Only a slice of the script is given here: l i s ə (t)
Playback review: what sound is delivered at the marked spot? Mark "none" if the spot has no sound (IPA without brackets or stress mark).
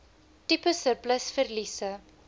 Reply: none